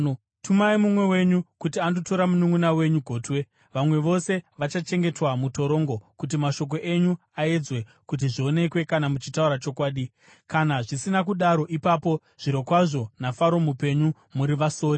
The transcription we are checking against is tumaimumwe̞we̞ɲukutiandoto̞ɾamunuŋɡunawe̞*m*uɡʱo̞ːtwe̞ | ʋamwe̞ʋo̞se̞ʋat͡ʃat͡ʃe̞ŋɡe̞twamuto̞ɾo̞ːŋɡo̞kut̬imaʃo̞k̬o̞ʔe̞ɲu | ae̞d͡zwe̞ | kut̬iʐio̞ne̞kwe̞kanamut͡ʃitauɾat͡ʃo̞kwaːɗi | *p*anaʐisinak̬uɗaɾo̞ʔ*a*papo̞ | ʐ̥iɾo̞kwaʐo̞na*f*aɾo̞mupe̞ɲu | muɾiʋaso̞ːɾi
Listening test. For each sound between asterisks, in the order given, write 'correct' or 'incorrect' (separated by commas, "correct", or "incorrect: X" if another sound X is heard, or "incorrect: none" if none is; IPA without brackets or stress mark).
incorrect: ɲ, incorrect: k, incorrect: i, correct